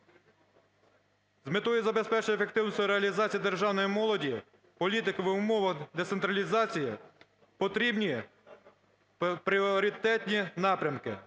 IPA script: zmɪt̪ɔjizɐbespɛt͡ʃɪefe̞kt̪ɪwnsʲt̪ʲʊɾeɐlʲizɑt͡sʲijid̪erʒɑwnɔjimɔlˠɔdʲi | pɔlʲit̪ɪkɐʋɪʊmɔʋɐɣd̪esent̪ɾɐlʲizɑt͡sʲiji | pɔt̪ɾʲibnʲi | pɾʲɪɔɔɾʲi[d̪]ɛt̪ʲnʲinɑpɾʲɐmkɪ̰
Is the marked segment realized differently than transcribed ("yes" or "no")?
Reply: yes